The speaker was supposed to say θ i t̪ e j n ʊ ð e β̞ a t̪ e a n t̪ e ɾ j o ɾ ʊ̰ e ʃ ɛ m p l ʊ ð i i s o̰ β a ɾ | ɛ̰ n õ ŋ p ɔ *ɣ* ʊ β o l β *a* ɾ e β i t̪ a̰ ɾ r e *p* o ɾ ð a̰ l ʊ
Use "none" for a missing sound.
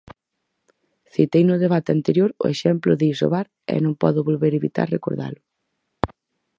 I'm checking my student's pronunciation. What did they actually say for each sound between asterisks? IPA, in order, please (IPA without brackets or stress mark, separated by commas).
ð, e, k